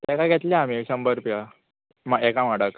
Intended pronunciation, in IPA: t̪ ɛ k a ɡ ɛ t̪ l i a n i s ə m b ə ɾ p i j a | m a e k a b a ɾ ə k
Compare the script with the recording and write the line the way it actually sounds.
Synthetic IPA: t̪ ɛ k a ɡ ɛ t̪ l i a m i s ə m b ə ɾ p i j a | m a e k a m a ɽ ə k